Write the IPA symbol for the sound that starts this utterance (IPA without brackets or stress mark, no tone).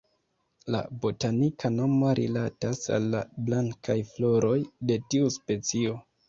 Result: l